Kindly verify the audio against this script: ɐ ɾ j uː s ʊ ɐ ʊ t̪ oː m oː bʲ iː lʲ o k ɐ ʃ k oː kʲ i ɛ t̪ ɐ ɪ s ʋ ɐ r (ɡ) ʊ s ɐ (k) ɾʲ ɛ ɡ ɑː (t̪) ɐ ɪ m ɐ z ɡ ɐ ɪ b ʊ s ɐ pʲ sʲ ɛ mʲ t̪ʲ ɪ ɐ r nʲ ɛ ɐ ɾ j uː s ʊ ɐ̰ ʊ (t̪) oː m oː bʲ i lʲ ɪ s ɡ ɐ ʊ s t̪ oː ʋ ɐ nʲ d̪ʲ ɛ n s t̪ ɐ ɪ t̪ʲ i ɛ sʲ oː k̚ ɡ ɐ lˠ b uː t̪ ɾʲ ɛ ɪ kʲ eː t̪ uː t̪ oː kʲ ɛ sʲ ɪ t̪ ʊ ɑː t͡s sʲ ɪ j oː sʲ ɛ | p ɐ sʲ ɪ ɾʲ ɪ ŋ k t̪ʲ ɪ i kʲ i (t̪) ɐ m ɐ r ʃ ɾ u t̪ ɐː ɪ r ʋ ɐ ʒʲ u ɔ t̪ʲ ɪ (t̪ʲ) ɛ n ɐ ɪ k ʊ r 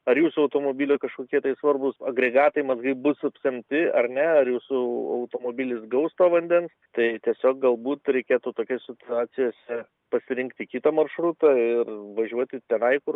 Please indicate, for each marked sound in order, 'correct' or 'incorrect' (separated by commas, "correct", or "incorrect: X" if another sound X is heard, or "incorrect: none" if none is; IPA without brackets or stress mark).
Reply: incorrect: b, incorrect: ɡ, correct, correct, correct, correct